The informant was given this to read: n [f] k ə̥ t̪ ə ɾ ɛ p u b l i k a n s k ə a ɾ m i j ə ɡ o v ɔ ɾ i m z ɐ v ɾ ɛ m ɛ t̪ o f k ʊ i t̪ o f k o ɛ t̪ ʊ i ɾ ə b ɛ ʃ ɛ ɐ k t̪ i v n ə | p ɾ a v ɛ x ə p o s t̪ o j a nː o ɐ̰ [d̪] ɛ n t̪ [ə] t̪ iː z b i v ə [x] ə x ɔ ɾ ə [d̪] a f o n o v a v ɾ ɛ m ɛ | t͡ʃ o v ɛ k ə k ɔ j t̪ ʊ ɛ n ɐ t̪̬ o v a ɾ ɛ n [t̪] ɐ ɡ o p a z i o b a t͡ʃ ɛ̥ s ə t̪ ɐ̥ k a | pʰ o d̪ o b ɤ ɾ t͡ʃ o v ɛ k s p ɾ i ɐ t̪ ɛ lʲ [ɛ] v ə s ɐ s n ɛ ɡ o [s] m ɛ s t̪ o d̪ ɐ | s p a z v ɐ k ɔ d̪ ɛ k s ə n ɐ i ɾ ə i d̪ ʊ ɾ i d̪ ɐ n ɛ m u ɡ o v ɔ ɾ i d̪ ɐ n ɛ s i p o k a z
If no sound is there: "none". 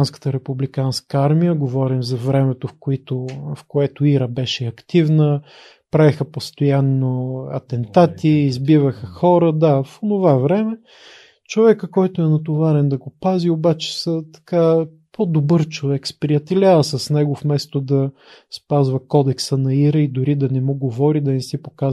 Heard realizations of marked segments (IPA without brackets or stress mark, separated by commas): s, t̪, a, x, d̪, d̪, a, f